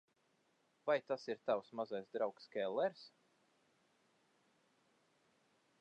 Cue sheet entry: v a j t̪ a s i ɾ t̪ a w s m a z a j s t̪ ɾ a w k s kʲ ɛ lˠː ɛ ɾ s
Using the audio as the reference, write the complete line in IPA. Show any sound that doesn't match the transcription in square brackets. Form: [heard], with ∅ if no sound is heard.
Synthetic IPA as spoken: v a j t̪ a s i ɾ t̪ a w s m a z a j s [d̪] ɾ a w k s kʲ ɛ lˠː ɛ ɾ s